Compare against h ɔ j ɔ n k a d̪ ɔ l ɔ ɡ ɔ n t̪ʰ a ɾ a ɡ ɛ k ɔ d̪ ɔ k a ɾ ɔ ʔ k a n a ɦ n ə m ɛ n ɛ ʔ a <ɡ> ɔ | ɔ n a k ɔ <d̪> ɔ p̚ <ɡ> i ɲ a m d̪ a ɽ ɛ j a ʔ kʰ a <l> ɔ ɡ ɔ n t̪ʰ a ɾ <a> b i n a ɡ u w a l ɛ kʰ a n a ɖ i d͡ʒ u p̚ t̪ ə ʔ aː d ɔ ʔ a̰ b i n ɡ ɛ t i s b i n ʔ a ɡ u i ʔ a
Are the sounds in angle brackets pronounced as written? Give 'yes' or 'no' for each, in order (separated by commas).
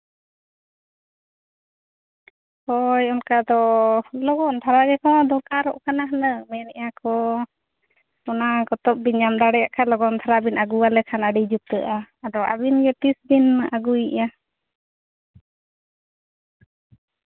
no, no, no, yes, yes